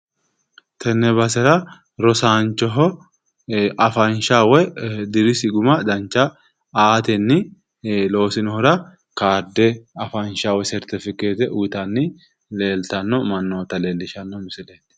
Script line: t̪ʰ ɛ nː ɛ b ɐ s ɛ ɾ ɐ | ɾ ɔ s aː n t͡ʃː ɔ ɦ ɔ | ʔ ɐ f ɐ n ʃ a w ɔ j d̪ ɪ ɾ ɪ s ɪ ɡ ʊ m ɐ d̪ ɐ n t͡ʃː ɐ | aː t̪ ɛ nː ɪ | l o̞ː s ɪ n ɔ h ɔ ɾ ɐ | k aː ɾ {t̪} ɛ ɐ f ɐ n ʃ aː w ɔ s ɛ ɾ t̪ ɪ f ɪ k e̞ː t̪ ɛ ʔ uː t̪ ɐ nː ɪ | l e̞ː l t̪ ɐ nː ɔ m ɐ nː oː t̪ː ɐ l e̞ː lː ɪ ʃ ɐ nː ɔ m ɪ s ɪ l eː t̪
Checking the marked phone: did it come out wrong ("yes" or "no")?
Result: yes